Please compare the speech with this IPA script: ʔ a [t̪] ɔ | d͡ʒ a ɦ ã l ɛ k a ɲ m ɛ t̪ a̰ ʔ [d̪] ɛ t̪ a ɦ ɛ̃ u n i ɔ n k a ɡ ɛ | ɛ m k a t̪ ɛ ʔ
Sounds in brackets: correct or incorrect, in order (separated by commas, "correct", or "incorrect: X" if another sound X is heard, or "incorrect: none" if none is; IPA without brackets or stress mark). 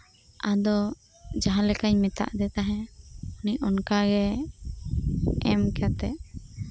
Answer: incorrect: d̪, correct